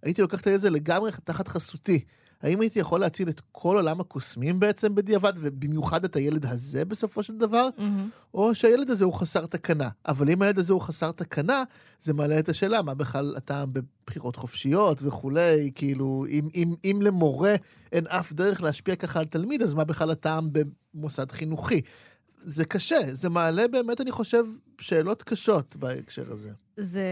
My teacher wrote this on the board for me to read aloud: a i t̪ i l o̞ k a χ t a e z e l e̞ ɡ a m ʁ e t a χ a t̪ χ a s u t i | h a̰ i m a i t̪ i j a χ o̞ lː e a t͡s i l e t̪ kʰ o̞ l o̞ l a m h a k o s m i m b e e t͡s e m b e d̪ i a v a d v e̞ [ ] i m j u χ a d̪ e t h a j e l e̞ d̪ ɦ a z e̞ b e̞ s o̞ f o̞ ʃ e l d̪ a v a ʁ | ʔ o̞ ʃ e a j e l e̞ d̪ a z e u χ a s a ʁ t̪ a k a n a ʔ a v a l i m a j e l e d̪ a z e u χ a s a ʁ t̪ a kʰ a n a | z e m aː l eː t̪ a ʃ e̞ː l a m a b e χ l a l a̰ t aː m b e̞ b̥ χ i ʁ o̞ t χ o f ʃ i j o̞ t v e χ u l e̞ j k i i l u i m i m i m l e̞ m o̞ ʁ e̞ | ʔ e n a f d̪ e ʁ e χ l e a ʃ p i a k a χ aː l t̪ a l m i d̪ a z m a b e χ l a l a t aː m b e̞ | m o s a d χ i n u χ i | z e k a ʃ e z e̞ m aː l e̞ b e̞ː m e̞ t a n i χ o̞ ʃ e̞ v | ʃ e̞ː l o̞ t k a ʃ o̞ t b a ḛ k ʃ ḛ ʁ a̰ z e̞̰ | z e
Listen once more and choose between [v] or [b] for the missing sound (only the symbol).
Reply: b